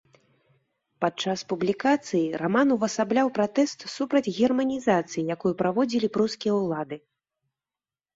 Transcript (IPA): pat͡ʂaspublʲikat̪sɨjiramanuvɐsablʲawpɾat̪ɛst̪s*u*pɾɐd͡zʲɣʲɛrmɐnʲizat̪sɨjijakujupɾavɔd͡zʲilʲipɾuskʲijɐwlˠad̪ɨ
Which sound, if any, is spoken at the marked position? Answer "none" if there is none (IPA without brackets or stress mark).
u